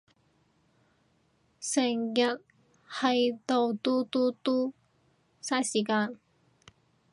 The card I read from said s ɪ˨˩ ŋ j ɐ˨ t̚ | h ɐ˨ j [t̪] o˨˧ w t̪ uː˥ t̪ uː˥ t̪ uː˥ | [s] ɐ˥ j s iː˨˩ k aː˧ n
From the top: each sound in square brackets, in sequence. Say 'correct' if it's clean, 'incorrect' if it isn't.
correct, correct

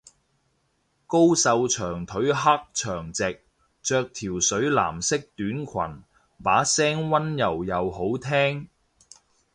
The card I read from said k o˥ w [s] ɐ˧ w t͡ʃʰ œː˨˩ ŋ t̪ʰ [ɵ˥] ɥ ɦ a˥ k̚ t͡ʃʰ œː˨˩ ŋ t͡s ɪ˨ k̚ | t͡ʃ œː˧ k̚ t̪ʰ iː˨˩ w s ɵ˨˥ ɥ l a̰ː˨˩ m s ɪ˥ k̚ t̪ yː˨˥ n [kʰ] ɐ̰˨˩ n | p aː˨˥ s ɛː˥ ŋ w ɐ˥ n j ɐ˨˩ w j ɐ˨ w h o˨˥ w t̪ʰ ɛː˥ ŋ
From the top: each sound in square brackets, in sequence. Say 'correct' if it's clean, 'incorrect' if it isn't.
correct, incorrect: ɵ˨˥, correct

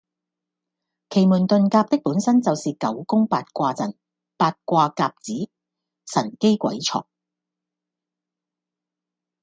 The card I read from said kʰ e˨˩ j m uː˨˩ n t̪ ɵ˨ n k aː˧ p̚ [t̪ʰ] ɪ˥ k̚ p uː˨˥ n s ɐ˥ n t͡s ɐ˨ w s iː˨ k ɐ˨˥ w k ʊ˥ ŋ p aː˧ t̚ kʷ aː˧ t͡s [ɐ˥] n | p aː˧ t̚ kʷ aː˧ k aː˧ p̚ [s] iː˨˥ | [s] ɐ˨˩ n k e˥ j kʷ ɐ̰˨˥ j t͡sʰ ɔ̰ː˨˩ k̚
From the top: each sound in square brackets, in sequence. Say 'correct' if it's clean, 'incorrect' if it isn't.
incorrect: t̪, incorrect: ɐ˨˩, incorrect: t͡s, correct

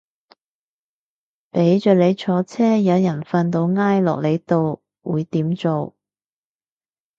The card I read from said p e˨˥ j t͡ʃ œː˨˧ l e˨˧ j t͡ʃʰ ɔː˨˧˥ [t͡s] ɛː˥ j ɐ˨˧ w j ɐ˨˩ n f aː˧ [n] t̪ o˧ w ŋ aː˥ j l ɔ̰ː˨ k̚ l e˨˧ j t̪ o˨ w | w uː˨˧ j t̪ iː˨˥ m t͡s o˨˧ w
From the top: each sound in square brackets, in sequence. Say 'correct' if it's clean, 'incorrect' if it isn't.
incorrect: t͡sʰ, correct

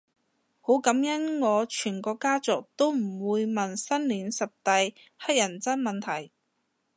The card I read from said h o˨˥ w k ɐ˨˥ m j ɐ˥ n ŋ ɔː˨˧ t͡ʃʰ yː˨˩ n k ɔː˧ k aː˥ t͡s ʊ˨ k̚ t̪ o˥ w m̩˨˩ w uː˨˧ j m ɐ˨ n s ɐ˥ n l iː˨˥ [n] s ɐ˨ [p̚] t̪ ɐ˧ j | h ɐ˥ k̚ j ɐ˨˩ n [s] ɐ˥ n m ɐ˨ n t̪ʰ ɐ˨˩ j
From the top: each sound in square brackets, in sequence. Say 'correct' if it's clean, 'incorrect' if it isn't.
correct, correct, incorrect: t͡s

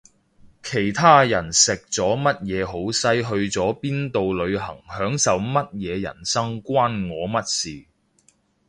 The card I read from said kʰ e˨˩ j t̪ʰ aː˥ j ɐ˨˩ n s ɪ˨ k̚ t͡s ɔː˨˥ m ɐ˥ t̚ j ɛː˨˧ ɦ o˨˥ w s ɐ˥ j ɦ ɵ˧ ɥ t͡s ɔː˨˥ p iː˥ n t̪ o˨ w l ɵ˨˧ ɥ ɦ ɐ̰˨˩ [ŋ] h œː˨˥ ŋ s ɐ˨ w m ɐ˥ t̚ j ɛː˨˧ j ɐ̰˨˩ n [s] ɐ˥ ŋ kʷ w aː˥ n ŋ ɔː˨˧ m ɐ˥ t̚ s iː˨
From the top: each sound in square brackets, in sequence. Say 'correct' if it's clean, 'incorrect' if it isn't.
correct, correct

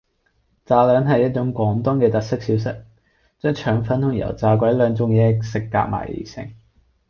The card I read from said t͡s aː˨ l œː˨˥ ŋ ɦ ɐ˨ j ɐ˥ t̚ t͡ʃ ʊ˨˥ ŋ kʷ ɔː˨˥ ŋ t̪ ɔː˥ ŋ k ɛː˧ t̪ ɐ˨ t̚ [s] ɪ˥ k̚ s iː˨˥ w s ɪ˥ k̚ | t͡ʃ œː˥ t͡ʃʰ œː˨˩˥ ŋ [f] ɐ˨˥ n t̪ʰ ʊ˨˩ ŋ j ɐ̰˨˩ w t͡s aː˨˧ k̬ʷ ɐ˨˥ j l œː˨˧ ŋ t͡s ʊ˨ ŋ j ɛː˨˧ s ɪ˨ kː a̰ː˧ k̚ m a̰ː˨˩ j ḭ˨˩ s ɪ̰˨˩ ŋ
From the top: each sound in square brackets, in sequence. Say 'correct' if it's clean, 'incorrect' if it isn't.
correct, correct

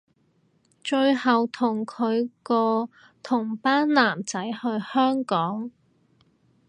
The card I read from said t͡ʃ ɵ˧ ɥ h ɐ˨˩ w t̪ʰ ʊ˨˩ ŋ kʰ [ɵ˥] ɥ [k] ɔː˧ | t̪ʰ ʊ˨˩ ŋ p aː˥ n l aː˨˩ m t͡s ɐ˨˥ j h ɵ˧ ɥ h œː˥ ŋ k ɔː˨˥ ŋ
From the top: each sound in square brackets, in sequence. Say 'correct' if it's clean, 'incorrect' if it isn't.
incorrect: ɵ˨˧, correct

